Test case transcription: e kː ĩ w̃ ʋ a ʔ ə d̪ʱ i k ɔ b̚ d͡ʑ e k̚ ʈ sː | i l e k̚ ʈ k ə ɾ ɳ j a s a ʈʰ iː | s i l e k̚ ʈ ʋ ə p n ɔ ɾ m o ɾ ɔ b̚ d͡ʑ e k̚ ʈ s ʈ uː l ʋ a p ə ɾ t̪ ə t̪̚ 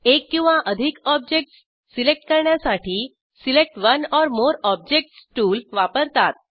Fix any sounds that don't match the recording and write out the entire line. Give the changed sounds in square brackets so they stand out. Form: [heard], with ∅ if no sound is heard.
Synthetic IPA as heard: e kː ĩ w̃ ʋ a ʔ ə d̪ʱ i k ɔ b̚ d͡ʑ e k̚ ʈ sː | i l e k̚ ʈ k ə ɾ ɳ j a s a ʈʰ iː | s i l e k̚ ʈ ʋ ə [∅] n ɔ ɾ m o ɾ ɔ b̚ d͡ʑ e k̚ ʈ s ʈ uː l ʋ a p ə ɾ t̪ [a] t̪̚